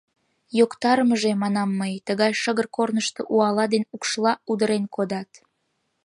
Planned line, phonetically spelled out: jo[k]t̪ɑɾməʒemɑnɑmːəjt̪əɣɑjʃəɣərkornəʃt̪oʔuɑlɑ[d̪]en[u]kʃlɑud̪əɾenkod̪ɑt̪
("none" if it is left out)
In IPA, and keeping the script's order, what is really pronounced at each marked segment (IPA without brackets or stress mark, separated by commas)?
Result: k, d̪, u